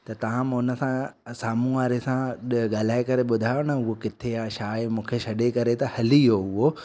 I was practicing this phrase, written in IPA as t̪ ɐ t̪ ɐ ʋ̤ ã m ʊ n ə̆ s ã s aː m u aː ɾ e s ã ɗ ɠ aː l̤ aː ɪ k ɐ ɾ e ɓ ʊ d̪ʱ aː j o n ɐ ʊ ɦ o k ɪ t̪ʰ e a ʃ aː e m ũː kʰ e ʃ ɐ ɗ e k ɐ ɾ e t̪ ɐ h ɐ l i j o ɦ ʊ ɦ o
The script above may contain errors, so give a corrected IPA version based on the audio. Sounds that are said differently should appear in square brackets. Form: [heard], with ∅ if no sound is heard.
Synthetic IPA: t̪ ɐ t̪ ɐ ʋ̤ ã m ʊ n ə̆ s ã s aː m u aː ɾ e s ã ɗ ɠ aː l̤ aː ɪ k ɐ ɾ e ɓ ʊ d̪ʱ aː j o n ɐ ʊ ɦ o k ɪ t̪ʰ e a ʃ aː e m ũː kʰ e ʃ ɐ ɗ e k ɐ ɾ e t̪ ɐ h ɐ l i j o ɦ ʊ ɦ o